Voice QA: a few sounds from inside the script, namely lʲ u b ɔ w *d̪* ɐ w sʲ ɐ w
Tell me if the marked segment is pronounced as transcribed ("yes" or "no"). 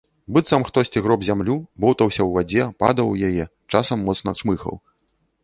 no